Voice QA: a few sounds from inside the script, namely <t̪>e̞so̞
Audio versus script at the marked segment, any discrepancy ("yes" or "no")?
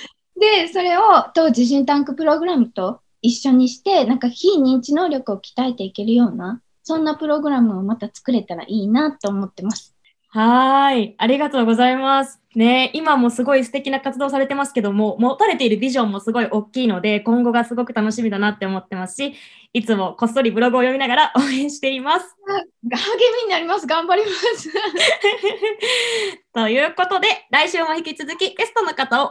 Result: yes